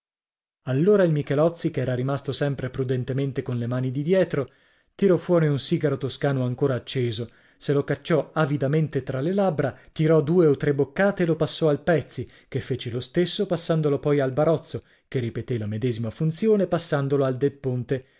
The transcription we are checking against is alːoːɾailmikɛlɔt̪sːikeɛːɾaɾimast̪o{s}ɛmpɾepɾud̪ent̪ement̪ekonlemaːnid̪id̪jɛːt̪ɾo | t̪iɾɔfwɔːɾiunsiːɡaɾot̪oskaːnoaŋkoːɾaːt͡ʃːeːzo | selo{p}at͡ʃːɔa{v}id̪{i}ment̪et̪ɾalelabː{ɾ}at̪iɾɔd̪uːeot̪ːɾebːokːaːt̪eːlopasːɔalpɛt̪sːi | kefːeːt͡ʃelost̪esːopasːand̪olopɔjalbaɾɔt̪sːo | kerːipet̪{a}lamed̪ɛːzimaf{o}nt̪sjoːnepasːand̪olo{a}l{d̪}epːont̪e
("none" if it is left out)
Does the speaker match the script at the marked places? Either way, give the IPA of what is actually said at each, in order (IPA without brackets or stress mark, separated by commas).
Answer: s, k, v, a, ɾ, e, u, a, d̪